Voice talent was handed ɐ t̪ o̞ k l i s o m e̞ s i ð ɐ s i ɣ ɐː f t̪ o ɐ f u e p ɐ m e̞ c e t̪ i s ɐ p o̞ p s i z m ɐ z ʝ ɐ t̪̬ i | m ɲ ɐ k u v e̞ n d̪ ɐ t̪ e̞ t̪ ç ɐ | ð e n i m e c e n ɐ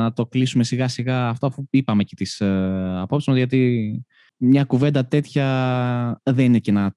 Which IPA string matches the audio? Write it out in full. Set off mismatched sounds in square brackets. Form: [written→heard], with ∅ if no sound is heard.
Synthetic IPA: ɐ t̪ o̞ k l i s [o→u] m e̞ s i [ð→ɣ] ɐ s i ɣ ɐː f t̪ o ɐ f u [e→i] p ɐ m e̞ c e t̪ i s ɐ p o̞ p s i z m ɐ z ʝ ɐ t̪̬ i | m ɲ ɐ k u v e̞ n d̪ ɐ t̪ e̞ t̪ ç ɐ | ð e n i [m→n] e c e n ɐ